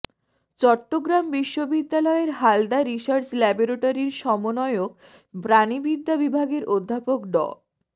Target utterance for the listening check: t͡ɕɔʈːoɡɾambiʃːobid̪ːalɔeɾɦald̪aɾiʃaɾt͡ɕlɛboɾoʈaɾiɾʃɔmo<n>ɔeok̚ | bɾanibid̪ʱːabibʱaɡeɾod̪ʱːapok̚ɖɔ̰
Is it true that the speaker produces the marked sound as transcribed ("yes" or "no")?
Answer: yes